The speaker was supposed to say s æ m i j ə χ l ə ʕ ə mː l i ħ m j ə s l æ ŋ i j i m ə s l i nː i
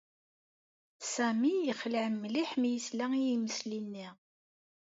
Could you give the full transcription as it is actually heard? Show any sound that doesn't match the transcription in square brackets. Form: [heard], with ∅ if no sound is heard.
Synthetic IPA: s æ m i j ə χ l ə ʕ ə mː l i ħ m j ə s l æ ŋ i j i m ə s l i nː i